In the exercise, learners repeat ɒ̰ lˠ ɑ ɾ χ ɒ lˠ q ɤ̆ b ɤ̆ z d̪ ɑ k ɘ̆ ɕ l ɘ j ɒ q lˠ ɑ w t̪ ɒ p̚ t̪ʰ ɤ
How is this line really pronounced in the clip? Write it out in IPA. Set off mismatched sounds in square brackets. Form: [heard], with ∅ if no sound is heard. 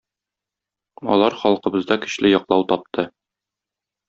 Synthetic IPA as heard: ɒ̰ lˠ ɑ ɾ χ ɒ lˠ q ɤ̆ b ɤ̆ z d̪ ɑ k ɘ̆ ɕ l ɘ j ɒ q lˠ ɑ w t̪ ɒ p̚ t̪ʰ ɤ